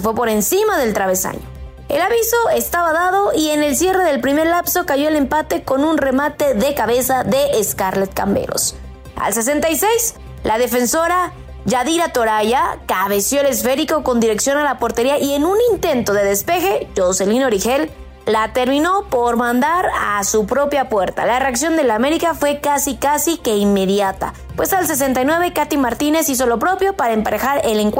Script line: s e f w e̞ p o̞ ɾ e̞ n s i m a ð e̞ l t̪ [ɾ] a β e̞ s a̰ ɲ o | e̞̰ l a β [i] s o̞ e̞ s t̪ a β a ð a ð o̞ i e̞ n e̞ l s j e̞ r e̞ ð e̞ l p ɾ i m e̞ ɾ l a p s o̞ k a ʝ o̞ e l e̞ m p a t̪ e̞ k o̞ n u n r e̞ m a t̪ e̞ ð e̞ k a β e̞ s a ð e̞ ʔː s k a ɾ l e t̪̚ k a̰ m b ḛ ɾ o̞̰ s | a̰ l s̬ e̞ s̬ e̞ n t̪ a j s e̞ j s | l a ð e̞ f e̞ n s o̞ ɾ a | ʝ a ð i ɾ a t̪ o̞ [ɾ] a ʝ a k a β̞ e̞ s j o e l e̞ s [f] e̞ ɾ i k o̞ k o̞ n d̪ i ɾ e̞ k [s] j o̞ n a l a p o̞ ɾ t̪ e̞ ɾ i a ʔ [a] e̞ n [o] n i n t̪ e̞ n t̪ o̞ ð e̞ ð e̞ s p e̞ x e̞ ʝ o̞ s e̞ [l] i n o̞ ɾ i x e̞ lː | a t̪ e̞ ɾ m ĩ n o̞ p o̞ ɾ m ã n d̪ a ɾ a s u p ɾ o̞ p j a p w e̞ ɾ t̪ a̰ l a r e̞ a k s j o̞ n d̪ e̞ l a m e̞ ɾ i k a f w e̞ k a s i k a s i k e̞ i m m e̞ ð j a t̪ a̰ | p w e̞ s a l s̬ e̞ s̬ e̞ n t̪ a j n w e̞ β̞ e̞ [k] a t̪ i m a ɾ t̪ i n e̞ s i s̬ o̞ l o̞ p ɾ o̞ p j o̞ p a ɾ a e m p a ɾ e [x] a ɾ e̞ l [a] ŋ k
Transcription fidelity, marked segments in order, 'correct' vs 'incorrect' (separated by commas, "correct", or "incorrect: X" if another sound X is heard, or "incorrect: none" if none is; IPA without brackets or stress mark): correct, correct, correct, correct, correct, incorrect: i, incorrect: u, correct, correct, correct, incorrect: e